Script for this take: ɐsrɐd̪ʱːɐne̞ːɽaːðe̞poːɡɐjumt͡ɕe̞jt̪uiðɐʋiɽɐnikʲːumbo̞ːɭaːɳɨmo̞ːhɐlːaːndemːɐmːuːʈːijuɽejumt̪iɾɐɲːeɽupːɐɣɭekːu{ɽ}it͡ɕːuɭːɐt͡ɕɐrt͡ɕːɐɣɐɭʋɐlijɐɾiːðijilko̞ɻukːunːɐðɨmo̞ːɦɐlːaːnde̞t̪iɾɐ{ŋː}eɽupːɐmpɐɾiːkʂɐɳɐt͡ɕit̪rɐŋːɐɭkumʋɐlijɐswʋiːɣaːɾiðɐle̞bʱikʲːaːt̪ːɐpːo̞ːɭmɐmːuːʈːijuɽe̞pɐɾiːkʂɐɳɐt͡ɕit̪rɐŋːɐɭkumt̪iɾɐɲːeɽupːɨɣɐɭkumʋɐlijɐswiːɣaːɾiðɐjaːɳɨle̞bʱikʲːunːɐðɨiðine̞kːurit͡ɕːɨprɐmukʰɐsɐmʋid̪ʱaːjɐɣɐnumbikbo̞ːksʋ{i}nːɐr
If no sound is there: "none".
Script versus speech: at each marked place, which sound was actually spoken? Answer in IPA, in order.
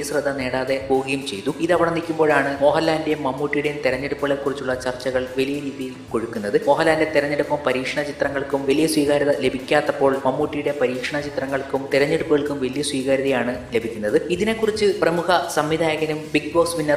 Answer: r, ɲː, i

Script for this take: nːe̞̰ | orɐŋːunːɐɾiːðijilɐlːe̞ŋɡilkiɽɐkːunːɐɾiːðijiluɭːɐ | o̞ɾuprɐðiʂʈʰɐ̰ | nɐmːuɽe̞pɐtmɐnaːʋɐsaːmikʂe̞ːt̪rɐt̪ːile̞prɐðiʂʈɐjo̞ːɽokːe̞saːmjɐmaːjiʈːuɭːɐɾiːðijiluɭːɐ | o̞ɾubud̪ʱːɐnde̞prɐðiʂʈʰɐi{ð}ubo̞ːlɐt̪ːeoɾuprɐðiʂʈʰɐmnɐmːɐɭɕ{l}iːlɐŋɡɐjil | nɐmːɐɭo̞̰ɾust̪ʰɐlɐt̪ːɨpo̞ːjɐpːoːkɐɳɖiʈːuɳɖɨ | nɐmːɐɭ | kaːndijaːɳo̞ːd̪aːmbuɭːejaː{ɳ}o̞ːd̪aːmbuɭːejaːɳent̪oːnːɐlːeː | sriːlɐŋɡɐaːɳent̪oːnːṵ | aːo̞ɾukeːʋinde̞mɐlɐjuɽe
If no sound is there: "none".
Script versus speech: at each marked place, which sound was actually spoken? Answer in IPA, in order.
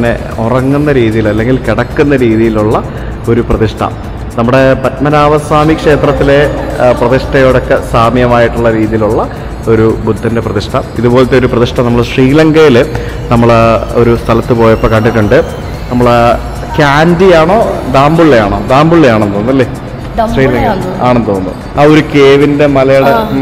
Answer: ð, r, ɳ

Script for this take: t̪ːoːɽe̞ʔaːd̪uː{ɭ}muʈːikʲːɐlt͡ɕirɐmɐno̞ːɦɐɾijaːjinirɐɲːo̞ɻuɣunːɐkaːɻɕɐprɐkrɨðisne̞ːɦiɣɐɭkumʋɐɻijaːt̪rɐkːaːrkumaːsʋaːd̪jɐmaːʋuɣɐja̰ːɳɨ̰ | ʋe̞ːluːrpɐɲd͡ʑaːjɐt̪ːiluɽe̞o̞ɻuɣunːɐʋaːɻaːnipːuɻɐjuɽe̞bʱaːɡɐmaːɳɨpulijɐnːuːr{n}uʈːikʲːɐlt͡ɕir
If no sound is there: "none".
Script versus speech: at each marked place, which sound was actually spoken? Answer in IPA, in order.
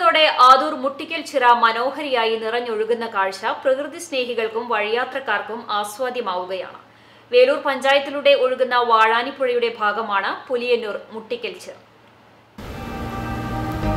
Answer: r, m

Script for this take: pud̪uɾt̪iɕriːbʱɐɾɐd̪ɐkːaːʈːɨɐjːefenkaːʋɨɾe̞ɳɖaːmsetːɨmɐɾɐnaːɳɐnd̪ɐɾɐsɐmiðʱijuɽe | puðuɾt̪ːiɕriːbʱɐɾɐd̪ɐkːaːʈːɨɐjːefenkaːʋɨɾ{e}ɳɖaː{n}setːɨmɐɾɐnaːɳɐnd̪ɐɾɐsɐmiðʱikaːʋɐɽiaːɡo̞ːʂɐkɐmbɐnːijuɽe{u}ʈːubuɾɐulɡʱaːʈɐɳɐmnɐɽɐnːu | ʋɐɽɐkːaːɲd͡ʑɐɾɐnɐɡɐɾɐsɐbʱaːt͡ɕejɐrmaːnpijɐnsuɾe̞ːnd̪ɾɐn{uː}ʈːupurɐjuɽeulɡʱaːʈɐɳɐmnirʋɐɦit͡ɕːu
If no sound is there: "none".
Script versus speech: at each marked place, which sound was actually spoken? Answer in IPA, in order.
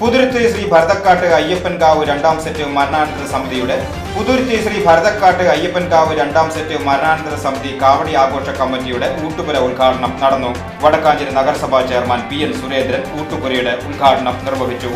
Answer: e, m, uː, uː

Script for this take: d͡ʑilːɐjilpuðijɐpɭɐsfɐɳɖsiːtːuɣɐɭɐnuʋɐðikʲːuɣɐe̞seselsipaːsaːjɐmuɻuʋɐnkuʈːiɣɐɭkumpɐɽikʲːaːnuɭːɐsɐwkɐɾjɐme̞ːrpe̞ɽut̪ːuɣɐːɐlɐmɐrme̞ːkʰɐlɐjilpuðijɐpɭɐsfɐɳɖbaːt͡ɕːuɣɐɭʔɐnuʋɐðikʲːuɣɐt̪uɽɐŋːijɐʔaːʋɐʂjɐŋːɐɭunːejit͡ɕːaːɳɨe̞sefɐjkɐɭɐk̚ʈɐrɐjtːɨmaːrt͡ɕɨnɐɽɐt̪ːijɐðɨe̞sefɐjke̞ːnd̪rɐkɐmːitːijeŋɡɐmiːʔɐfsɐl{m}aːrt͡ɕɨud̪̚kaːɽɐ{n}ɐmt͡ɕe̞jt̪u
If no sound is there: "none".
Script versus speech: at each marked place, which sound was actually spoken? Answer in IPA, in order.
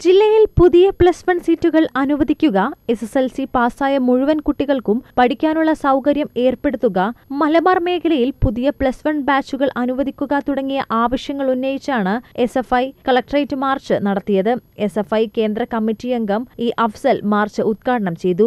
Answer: m, ɳ

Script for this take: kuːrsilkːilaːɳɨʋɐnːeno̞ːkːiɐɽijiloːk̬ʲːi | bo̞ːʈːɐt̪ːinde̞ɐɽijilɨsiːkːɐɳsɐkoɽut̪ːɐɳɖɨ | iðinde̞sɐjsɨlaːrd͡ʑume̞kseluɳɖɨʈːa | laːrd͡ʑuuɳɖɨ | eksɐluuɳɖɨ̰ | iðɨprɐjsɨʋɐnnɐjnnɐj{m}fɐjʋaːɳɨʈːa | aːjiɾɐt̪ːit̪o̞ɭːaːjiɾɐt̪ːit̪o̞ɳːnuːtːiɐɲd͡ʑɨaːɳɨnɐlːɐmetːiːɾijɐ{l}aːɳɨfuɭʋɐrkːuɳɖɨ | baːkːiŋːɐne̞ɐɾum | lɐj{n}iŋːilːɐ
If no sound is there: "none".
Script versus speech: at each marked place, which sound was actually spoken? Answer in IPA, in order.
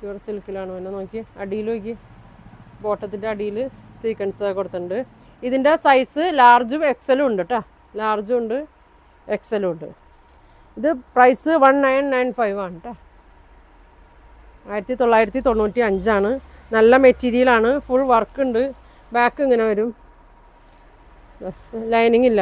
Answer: n, l, n

